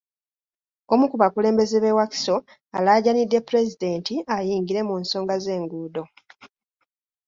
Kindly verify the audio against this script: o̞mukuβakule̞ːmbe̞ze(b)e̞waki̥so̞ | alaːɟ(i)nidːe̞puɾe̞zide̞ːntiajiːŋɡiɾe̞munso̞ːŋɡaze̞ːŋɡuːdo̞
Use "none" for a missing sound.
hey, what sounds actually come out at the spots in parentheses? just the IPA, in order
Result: β, a

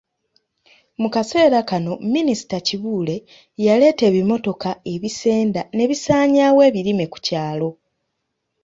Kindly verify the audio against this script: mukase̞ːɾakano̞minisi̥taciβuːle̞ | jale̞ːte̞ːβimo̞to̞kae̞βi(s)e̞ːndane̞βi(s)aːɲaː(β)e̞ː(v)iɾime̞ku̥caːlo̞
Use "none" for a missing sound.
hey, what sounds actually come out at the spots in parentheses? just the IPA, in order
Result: s, s, w, β

